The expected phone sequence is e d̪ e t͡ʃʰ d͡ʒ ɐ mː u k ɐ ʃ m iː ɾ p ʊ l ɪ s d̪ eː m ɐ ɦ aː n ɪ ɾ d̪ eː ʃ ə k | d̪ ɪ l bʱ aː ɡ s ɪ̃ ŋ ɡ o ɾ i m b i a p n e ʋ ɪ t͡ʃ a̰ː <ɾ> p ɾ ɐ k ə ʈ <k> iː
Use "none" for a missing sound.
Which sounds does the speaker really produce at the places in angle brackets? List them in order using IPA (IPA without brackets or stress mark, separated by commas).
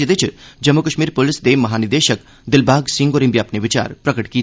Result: ɾ, k